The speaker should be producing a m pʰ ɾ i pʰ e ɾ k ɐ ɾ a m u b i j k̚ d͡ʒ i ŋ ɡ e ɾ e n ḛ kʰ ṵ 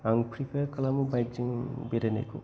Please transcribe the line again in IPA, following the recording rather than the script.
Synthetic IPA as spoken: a ŋ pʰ ɾ i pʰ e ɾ k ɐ l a m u b a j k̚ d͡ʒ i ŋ b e ɾ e n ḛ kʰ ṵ